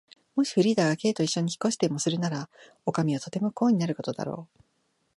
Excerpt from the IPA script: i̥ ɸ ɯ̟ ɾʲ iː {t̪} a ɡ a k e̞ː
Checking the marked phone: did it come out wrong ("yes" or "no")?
yes